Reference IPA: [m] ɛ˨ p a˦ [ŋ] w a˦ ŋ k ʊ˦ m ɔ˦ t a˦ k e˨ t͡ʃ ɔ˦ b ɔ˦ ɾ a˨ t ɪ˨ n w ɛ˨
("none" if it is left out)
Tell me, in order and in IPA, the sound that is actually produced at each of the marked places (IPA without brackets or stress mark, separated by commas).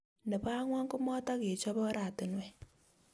n, ŋ